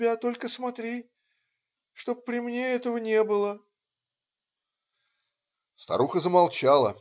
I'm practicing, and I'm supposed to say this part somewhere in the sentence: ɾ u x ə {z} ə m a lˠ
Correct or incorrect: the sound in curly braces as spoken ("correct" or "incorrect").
correct